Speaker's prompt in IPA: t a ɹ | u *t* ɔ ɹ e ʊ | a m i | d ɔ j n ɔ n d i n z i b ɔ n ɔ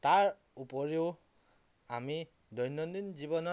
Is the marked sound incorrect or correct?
incorrect: p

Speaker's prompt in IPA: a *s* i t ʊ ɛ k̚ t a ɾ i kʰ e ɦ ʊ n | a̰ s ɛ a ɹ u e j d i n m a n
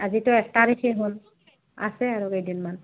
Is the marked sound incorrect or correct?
incorrect: z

